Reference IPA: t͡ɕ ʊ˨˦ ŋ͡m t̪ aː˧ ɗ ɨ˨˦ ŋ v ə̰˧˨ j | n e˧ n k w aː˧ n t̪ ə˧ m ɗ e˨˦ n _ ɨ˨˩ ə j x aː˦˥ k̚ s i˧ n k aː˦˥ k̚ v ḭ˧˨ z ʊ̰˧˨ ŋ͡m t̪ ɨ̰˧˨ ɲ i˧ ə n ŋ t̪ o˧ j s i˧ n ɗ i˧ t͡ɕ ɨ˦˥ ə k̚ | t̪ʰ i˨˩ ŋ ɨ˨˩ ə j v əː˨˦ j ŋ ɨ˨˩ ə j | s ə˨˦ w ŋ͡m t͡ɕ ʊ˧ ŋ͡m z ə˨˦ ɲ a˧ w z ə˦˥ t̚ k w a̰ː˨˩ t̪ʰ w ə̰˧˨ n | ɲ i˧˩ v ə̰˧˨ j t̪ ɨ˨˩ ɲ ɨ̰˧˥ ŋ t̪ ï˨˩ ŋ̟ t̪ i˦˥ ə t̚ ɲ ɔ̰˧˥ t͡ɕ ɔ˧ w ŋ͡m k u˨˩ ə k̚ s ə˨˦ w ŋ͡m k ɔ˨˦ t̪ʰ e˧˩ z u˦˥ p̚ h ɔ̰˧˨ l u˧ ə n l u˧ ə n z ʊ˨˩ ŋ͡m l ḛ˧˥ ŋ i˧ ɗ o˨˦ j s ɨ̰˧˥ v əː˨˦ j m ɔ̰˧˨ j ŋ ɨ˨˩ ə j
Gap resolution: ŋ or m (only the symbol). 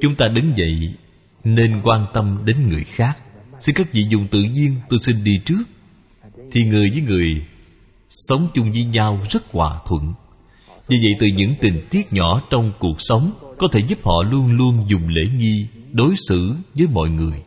ŋ